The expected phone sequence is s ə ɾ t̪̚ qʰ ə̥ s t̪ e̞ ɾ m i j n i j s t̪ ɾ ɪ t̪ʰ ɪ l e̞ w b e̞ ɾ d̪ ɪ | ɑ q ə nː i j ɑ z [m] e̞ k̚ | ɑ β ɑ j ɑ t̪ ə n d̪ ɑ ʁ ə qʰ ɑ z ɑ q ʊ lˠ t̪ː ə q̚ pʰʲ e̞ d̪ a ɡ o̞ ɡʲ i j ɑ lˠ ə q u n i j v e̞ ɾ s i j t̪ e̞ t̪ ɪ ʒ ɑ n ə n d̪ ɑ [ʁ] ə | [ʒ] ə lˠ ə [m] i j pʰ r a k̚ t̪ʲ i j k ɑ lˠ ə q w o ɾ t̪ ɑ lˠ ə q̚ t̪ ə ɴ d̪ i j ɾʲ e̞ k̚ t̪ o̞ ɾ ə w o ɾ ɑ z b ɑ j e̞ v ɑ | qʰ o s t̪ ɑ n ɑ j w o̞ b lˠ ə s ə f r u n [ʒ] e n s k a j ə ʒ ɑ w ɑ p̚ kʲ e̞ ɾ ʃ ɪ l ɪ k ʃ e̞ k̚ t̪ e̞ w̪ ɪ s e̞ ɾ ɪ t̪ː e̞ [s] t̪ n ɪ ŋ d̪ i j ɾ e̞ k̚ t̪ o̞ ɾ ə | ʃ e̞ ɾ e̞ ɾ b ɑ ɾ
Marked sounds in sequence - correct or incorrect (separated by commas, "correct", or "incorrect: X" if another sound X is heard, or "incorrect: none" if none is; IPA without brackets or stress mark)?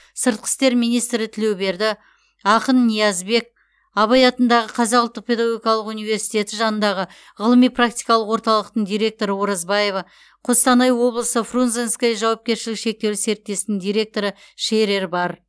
incorrect: b, correct, incorrect: ʁ, correct, incorrect: z, correct